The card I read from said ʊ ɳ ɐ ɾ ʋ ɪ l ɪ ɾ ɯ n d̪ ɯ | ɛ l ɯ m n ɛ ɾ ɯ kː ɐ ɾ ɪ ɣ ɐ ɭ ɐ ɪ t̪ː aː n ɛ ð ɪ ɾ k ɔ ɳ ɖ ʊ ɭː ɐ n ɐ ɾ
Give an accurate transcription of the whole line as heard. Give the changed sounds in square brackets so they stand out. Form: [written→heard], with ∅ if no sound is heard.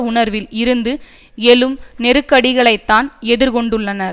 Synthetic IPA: ʊ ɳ ɐ ɾ ʋ ɪ l ɪ ɾ ɯ n d̪ ɯ | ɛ l ɯ m n ɛ ɾ ɯ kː ɐ [ɾ→ɽ] ɪ ɣ ɐ ɭ ɐ ɪ t̪ː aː n ɛ ð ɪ ɾ k ɔ ɳ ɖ [ʊ→ɯ] ɭː ɐ n ɐ ɾ